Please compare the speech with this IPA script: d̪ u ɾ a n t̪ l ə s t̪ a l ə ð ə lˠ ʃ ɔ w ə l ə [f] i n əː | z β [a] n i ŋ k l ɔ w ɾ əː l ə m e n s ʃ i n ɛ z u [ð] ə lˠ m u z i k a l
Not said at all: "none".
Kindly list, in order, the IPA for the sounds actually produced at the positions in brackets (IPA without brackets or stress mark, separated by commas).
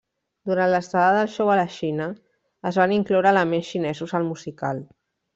ʃ, a, z